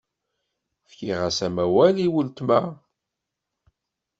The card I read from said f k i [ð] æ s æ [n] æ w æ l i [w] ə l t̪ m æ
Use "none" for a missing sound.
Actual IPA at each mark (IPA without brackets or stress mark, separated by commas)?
ʁ, m, w